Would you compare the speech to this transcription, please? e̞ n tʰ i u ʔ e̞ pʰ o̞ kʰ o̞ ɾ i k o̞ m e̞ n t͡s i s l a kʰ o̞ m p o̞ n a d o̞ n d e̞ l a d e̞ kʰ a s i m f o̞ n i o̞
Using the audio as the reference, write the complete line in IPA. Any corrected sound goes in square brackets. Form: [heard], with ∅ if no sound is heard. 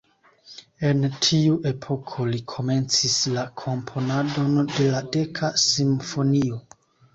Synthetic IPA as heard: e̞ n tʰ i u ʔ e̞ pʰ o̞ kʰ o̞ [l] i [kʰ] o̞ m e̞ n t͡s i s l a kʰ o̞ m [pʰ] o̞ n a d o̞ n d e̞ l a d e̞ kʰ a s i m f o̞ n i o̞